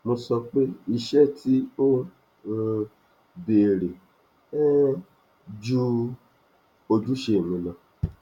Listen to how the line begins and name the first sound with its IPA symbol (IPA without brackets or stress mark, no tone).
m